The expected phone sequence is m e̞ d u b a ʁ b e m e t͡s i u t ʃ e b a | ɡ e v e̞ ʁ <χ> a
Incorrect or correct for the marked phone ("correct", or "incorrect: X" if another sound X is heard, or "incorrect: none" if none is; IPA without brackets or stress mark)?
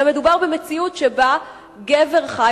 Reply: correct